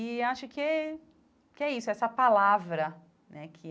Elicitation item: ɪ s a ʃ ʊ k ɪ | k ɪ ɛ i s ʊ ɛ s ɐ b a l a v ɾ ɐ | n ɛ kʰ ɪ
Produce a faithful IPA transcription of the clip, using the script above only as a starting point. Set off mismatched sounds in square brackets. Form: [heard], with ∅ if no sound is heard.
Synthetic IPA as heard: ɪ [∅] a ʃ ʊ k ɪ | k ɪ ɛ i s ʊ ɛ s ɐ [p] a l a v ɾ ɐ | n ɛ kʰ ɪ